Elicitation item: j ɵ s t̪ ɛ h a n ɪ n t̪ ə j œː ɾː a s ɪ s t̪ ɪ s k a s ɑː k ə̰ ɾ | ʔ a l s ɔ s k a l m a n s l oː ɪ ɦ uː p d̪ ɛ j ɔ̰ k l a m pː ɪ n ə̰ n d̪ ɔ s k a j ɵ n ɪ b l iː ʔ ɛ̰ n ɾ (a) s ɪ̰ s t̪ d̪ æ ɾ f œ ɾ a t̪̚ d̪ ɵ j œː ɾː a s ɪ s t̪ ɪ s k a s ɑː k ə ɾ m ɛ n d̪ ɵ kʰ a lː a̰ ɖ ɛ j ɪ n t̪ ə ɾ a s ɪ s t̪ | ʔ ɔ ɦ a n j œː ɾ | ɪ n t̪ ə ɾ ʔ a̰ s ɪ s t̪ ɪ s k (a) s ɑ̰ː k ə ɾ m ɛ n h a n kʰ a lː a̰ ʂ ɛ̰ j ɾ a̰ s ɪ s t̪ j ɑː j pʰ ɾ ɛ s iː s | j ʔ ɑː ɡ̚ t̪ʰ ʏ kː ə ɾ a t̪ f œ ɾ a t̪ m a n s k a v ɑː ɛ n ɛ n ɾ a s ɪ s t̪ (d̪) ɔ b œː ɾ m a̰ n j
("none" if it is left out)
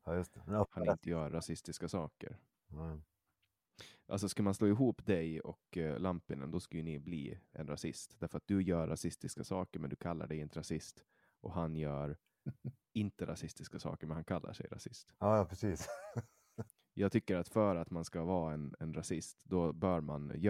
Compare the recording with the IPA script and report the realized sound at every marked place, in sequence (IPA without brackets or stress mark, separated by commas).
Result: a, a, d̪